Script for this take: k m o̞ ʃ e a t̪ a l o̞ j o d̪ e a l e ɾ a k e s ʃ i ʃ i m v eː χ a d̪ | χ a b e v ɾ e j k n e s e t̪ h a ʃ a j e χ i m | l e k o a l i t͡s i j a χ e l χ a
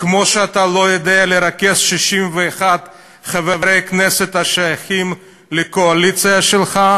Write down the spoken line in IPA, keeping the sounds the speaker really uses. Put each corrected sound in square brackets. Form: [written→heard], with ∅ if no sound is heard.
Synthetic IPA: k m o̞ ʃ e a t̪ a l o̞ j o d̪ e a l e ɾ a k e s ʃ i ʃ i m v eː χ a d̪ | χ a [b→v] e v ɾ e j k n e s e t̪ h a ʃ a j [e→a] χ i m | l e k o a l i t͡s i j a [χ→ʃ] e l χ a